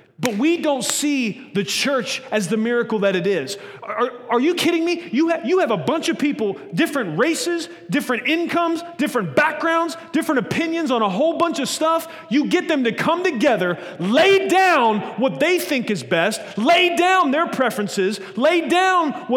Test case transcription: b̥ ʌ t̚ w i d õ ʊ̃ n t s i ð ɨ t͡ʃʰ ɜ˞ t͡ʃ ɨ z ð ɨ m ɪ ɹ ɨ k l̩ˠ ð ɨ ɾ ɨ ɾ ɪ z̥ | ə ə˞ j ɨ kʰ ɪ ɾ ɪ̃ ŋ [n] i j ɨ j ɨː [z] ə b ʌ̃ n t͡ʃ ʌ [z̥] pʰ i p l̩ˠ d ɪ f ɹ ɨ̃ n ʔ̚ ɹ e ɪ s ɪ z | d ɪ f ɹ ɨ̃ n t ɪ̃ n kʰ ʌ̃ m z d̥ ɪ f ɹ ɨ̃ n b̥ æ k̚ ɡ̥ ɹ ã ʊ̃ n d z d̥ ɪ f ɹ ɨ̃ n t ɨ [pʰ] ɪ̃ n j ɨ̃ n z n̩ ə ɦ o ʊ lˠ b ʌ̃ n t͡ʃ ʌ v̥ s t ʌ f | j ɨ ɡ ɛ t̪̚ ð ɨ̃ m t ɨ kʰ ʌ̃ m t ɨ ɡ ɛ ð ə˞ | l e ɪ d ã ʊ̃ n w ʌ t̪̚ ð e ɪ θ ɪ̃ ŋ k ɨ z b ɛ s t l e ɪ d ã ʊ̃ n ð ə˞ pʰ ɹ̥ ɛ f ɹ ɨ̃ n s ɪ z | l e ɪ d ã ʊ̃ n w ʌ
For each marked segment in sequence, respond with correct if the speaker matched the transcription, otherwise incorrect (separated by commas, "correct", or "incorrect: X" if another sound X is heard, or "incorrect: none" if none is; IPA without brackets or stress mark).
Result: incorrect: m, incorrect: v, incorrect: v̥, correct